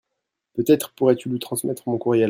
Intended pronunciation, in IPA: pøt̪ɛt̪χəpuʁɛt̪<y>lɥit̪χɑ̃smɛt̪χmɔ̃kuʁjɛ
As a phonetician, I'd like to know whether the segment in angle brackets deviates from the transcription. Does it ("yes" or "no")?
no